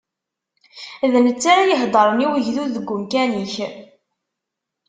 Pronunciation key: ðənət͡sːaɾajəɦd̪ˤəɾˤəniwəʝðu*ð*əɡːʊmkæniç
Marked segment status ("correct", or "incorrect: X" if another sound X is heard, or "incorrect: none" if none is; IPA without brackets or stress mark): correct